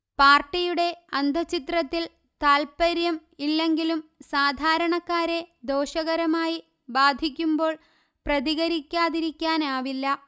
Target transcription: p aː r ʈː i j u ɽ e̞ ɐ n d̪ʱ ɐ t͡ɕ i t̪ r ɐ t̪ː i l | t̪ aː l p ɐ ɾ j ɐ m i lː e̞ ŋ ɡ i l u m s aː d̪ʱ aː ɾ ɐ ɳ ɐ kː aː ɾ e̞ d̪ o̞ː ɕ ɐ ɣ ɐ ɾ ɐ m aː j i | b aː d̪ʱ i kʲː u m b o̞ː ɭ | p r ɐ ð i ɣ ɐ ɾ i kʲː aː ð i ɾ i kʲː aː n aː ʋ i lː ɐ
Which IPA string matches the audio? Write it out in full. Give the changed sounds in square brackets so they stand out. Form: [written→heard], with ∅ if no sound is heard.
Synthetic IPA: p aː r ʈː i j u ɽ e̞ ɐ n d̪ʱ ɐ t͡ɕ i t̪ r ɐ t̪ː i l | t̪ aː l p ɐ ɾ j ɐ m i lː e̞ ŋ ɡ i l u m s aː d̪ʱ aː ɾ ɐ ɳ ɐ kː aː ɾ e̞ d̪ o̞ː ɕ ɐ ɣ ɐ ɾ ɐ m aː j i | b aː d̪ʱ i kʲː u m b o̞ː ɭ | p r ɐ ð i ɣ ɐ ɾ i kʲː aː ð i ɾ i kʲː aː n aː ʋ i lː ɐ